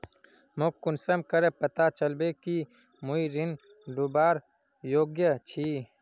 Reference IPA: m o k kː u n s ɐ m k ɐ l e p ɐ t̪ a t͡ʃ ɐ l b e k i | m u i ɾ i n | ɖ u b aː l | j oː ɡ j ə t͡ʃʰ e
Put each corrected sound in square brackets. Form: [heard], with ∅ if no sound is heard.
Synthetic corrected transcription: m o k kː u n s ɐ m k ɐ [ɾ] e p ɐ t̪ a t͡ʃ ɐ l b e k i | m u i ɾ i n | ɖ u b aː [ɾ] | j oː ɡ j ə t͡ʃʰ [i]